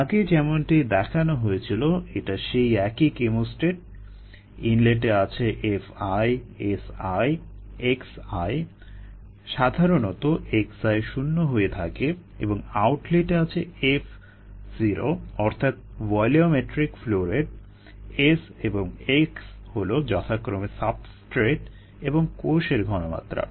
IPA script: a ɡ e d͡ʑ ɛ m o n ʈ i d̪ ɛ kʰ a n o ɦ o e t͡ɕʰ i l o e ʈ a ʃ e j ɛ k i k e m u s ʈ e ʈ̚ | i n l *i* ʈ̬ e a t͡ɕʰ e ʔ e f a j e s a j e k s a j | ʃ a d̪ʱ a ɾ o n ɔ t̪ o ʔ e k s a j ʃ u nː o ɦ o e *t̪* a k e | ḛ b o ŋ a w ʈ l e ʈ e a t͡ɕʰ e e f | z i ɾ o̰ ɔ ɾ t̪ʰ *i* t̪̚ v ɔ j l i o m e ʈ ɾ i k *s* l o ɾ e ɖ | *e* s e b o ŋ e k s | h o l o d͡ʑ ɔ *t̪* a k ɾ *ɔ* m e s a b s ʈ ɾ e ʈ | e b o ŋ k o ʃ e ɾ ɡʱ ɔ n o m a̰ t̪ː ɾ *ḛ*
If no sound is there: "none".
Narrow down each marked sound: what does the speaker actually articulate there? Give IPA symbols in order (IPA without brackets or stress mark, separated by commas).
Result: e, t̪ʰ, a, f, e, t̪ʰ, o, a̰